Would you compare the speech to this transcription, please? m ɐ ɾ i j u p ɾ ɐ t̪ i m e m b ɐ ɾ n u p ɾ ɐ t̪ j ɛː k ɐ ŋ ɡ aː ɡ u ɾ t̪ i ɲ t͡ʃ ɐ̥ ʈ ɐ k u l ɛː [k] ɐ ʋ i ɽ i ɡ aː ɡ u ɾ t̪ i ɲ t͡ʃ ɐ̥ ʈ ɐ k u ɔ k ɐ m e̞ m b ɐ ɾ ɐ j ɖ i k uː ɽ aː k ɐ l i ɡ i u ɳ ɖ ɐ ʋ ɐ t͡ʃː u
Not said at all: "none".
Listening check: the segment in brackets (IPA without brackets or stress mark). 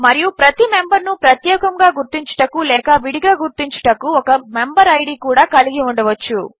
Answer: k